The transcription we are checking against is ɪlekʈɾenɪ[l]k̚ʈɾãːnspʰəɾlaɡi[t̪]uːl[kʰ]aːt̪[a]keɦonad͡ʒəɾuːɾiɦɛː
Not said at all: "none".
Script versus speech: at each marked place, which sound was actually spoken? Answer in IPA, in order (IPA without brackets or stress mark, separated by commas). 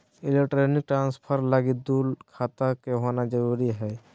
none, d̪, kʰ, a